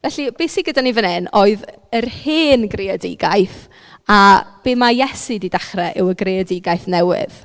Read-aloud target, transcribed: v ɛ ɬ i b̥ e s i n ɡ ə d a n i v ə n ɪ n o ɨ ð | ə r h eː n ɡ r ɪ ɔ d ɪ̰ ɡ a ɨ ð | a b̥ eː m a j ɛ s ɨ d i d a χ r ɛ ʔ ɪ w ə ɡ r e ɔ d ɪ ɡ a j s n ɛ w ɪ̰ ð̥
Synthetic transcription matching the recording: v ɛ ɬ i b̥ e s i ɡ ə d a n i v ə n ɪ n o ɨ ð | ə r h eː n ɡ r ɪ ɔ d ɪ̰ ɡ a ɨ θ | a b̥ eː m a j ɛ s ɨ d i d a χ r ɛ ʔ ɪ w ə ɡ r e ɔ d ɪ ɡ a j θ n ɛ w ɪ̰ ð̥